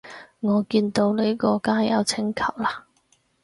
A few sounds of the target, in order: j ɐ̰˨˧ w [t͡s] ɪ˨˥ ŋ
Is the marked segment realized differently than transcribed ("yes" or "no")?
yes